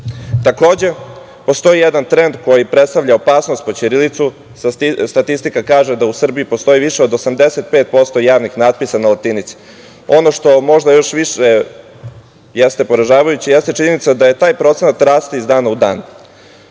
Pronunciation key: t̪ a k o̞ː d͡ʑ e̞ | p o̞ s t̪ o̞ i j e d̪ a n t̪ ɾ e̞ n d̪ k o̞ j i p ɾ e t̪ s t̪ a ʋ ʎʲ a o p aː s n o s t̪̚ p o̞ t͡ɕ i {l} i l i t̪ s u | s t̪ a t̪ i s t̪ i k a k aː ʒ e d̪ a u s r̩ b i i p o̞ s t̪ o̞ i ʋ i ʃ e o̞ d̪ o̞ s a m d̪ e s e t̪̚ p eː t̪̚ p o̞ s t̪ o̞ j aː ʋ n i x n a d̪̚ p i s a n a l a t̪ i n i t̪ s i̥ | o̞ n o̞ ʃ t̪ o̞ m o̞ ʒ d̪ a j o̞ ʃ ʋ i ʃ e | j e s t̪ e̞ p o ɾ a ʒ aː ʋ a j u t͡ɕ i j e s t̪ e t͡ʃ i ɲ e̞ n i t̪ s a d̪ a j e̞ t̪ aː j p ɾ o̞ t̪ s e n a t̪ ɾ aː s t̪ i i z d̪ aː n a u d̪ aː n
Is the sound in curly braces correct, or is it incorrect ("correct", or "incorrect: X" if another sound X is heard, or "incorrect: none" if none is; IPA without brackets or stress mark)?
incorrect: ɾ